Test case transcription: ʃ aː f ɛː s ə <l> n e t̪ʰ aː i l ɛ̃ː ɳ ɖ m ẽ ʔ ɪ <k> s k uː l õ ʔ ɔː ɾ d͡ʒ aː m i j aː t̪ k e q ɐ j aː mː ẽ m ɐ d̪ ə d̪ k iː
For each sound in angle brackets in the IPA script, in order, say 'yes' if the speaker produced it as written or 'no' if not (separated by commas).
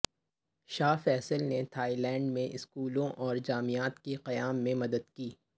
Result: yes, no